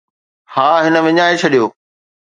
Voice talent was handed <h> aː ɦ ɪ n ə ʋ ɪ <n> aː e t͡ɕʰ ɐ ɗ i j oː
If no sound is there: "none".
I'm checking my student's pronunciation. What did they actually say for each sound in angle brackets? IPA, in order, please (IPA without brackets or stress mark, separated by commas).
h, ɲ